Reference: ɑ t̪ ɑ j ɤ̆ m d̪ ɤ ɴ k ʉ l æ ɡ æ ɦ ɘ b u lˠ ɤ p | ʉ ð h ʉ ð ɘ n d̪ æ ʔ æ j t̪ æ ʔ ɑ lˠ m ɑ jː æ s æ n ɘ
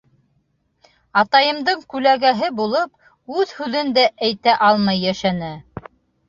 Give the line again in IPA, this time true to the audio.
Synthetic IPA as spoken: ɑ t̪ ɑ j ɤ̆ m d̪ ɤ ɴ k ʉ l æ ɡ æ ɦ ɘ b u lˠ ɤ p | ʉ ð h ʉ ð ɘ n d̪ æ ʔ æ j t̪ æ ʔ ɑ lˠ m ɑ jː æ ʃ æ n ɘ